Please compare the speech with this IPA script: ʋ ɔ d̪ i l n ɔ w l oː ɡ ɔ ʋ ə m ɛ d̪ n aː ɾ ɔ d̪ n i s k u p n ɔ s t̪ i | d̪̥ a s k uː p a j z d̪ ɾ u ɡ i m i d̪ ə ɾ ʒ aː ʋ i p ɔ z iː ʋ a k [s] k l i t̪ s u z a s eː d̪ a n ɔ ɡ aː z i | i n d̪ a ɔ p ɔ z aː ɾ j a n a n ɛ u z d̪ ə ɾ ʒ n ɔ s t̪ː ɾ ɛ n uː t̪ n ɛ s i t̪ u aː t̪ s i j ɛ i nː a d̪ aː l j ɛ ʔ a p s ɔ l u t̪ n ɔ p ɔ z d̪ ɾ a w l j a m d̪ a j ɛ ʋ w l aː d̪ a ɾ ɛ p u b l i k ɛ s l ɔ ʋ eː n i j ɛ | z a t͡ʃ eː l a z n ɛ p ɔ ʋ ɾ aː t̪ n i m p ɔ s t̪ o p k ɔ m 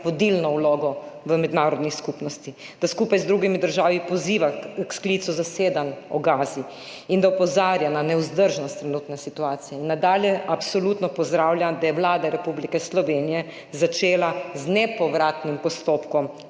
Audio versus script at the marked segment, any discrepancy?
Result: no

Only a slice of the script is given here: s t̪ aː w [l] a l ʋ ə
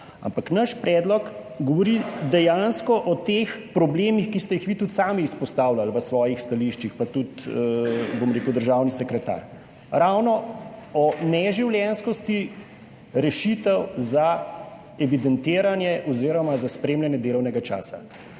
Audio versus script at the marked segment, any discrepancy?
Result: no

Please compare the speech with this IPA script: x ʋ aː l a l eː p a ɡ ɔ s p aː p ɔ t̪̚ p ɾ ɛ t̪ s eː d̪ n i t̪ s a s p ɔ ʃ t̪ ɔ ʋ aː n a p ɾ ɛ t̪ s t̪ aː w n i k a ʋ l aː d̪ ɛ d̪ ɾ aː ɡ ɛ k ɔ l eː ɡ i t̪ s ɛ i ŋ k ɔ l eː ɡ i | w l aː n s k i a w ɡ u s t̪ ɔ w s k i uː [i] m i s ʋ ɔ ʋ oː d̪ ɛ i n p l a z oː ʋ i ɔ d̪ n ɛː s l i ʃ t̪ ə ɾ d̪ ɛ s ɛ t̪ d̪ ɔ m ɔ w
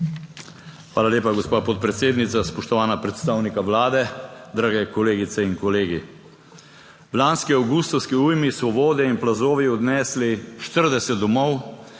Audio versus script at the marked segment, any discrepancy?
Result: yes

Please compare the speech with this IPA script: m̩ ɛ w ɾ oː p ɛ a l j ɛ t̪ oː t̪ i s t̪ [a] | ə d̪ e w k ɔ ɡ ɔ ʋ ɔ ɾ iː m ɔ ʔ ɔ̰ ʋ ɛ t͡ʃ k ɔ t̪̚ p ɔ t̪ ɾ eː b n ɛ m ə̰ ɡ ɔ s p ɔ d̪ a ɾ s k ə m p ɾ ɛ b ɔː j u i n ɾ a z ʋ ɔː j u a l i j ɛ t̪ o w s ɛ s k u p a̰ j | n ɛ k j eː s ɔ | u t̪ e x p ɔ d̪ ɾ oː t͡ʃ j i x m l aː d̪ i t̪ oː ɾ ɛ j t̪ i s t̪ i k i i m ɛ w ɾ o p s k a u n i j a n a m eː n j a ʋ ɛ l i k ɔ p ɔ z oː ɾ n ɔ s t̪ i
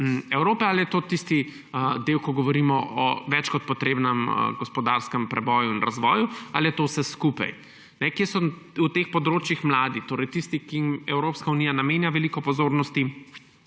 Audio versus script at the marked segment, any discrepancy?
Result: yes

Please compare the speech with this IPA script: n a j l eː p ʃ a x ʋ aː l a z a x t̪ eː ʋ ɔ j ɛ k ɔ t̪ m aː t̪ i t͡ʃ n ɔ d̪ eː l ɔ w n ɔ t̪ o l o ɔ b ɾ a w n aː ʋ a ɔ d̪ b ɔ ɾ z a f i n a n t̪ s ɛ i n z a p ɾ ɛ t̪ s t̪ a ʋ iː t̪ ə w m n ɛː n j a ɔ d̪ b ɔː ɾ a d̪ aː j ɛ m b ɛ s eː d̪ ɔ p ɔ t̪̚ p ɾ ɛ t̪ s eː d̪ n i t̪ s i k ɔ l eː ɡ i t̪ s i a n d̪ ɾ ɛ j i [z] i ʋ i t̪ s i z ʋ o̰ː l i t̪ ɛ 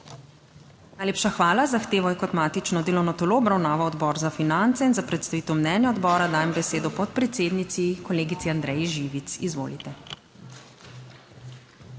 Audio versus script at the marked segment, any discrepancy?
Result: yes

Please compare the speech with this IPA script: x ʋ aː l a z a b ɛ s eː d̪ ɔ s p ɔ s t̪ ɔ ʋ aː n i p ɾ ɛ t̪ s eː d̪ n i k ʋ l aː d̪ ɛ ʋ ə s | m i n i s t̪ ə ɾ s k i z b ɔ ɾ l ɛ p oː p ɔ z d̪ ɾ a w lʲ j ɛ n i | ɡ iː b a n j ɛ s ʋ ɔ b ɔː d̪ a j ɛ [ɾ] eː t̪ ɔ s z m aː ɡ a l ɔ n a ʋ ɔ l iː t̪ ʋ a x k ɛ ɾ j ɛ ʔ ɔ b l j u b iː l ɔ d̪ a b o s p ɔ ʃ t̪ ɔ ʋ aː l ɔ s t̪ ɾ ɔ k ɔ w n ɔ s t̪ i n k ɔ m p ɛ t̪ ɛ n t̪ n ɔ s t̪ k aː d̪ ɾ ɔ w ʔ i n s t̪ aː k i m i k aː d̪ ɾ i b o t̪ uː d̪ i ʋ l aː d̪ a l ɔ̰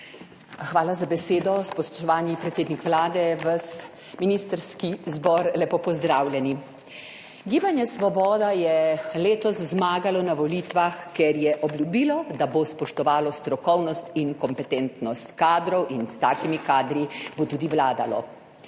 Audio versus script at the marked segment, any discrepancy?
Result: yes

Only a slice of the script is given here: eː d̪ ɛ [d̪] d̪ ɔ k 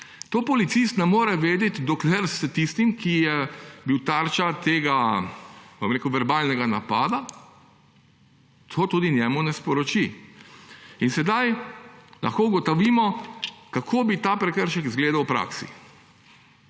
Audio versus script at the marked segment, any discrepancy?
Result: yes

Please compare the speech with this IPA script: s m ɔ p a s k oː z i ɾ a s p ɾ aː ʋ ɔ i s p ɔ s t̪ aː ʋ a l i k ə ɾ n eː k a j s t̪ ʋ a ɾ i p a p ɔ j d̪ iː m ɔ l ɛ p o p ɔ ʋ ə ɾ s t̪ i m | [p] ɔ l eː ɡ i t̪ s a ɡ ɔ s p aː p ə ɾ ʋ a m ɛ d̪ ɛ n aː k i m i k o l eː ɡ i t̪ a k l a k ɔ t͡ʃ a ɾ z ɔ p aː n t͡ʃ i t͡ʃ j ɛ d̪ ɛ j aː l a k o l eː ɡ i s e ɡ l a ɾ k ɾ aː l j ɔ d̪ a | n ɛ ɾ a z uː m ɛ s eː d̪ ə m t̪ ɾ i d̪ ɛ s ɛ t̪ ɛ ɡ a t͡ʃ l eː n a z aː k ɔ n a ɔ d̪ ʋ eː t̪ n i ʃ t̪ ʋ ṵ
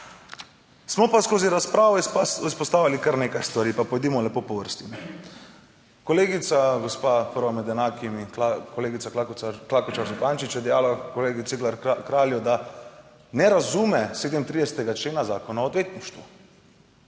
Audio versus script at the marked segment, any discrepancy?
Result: yes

